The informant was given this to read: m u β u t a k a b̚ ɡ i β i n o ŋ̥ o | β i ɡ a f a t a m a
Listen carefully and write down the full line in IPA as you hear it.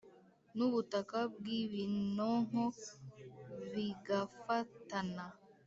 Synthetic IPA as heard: n u β u t a k a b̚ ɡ i β i n o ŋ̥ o | β i ɡ a f a t a n a